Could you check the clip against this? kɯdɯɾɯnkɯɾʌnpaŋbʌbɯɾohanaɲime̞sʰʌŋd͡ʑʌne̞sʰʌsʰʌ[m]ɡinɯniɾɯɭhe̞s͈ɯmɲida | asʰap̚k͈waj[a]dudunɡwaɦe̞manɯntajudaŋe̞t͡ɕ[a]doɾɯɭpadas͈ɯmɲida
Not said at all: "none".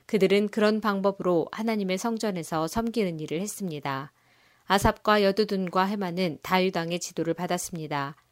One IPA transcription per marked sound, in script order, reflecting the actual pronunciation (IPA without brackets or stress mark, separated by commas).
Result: m, ʌ, i